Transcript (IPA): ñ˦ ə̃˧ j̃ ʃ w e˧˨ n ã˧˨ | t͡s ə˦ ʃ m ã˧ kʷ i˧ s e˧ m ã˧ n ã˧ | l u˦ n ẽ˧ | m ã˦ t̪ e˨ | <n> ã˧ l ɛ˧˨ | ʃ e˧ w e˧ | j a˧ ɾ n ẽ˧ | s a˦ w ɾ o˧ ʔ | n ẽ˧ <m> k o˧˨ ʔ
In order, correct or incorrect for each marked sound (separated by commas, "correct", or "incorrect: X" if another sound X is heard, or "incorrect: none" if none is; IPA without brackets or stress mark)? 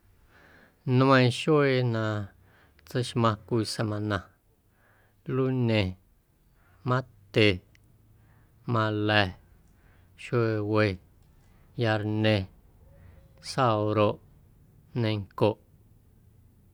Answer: incorrect: m, incorrect: ŋ